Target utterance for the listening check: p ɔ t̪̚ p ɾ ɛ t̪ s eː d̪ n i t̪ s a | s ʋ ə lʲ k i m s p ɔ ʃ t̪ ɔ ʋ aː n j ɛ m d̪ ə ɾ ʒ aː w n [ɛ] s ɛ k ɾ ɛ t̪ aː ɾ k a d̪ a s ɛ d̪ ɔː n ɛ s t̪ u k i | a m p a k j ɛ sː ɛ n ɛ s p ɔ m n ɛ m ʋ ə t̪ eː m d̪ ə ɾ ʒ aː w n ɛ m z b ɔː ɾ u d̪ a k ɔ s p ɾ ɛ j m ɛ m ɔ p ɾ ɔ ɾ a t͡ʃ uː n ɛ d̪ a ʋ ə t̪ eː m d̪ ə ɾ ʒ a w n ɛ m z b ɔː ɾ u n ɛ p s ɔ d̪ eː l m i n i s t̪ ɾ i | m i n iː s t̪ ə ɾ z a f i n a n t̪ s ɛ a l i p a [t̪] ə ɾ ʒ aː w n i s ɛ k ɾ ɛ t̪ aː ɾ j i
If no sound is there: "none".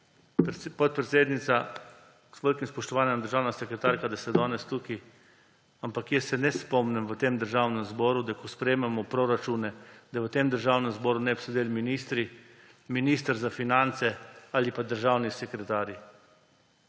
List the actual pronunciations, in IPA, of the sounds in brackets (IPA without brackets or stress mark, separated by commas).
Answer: a, d̪